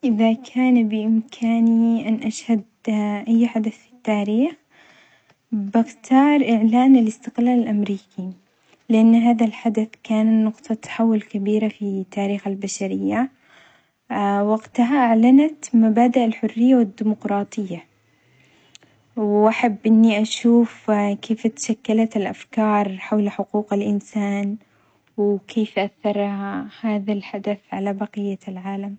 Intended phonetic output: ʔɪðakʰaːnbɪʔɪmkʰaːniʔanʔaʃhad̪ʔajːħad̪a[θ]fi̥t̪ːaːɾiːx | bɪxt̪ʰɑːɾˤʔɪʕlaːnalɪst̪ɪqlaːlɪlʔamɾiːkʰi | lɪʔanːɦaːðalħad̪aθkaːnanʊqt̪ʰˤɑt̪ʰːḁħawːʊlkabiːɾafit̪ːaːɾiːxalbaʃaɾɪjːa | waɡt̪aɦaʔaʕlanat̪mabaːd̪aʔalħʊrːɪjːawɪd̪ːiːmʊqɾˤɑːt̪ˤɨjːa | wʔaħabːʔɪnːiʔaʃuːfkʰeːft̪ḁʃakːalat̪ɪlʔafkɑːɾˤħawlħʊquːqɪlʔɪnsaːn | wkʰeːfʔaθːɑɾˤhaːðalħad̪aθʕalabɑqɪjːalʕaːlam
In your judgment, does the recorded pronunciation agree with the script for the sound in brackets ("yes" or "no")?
yes